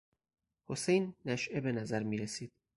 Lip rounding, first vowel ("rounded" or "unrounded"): rounded